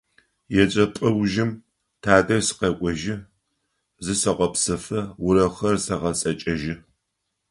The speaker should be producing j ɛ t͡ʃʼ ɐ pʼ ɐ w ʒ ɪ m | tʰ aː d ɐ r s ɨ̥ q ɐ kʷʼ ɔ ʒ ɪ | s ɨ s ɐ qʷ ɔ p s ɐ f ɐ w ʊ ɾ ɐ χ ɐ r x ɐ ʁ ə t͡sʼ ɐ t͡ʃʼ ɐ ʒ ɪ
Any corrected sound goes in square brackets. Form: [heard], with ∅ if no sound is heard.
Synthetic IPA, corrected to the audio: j ɛ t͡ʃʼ ɐ pʼ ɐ w ʒ ɪ m | tʰ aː d ɐ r s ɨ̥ q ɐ kʷʼ ɔ ʒ ɪ | [z] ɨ s ɐ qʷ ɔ p s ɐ f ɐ w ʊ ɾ ɐ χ ɐ r [s] ɐ ʁ [ɐ] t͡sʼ ɐ t͡ʃʼ ɐ ʒ ɪ